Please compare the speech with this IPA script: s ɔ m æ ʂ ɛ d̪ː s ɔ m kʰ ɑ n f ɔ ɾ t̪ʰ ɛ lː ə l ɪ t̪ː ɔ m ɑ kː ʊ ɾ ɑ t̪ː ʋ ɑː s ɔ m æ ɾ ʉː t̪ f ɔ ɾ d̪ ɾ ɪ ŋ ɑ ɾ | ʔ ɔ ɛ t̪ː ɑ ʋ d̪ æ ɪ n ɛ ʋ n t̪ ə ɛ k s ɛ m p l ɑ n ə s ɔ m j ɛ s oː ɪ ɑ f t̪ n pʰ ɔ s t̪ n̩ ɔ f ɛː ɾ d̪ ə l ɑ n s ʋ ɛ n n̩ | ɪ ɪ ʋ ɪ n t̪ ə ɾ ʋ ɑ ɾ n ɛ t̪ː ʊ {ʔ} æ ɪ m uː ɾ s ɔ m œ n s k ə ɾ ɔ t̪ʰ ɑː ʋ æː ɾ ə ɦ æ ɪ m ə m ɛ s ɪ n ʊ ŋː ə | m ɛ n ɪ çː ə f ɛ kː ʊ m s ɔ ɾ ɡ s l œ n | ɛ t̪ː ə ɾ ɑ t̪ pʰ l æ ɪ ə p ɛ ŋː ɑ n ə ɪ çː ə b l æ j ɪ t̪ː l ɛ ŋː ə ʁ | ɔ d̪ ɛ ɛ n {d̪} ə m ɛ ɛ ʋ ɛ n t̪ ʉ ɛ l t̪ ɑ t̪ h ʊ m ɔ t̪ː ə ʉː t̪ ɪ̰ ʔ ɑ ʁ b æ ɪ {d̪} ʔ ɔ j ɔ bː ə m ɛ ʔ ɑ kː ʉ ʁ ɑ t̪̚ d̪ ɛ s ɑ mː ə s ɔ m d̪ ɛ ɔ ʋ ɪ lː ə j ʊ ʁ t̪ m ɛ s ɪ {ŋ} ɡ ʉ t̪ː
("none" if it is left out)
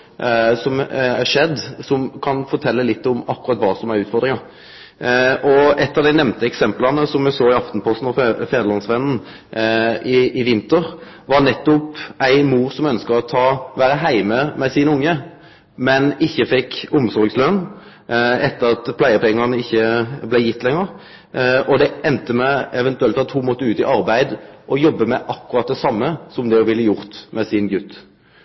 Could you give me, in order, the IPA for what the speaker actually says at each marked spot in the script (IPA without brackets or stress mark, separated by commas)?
p, t̪, d̪, n